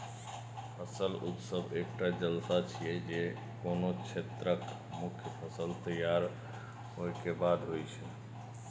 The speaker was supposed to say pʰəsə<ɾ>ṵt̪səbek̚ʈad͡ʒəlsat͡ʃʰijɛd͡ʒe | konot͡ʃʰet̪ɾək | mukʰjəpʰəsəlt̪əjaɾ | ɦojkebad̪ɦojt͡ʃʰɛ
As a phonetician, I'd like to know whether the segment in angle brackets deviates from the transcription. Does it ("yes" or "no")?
yes